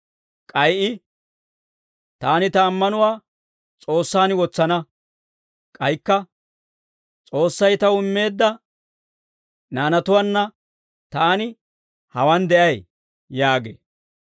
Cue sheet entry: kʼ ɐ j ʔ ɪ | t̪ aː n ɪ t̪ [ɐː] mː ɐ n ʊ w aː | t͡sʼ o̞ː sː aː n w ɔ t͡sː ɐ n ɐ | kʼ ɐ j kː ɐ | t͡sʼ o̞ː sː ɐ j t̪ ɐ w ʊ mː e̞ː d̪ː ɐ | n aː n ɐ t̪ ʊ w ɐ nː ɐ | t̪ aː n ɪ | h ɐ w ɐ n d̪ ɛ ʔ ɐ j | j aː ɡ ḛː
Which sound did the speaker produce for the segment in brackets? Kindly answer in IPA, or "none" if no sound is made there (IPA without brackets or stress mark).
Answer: ɐː